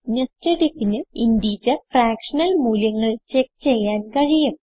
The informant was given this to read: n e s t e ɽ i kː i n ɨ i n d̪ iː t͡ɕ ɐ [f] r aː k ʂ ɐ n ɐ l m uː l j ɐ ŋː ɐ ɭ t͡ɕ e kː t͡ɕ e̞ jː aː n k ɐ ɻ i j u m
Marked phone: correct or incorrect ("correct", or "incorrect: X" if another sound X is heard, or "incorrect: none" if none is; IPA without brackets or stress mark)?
correct